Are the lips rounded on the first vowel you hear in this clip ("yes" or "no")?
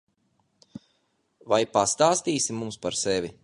no